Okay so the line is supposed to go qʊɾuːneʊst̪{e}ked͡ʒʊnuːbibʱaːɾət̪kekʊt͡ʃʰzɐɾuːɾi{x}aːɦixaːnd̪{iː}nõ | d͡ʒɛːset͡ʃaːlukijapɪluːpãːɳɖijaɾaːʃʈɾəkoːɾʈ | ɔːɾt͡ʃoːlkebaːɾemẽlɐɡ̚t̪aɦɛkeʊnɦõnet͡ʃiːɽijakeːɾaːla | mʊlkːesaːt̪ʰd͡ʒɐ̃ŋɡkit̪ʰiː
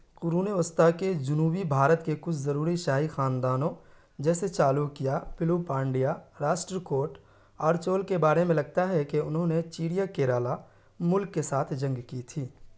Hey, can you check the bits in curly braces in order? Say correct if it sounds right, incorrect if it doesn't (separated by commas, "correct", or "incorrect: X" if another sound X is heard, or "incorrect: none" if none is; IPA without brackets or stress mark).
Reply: incorrect: a, incorrect: ʃ, incorrect: aː